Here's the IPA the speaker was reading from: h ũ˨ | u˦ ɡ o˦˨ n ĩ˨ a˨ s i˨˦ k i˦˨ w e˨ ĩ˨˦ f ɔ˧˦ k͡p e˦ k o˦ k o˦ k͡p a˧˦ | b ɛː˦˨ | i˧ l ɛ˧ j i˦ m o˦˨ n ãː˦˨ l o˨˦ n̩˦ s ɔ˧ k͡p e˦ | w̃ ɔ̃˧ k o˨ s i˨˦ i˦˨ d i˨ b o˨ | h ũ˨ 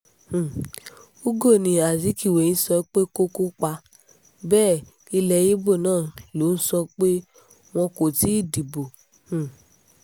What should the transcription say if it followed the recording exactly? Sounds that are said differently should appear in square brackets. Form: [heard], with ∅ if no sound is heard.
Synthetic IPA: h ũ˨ | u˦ ɡ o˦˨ n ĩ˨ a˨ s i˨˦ k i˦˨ w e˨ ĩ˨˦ [s] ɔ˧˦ k͡p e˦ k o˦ k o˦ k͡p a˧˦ | b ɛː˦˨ | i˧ l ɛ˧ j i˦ [b] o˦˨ n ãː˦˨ l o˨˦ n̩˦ s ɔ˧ k͡p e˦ | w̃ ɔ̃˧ k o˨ [t] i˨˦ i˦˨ d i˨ b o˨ | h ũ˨